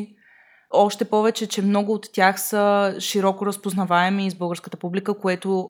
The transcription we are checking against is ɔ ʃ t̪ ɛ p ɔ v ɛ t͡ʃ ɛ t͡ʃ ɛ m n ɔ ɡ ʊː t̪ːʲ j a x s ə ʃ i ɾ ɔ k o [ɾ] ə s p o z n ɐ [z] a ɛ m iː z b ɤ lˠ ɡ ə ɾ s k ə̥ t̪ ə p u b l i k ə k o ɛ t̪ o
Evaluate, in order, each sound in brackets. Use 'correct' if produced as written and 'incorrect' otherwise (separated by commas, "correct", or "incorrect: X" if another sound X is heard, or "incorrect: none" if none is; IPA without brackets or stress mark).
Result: correct, incorrect: v